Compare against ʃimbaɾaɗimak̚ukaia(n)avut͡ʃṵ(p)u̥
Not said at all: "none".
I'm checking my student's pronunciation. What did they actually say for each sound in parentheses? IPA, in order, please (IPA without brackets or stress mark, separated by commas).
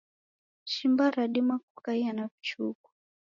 n, k